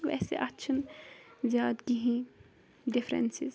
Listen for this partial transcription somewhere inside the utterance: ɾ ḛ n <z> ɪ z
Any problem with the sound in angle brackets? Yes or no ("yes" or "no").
yes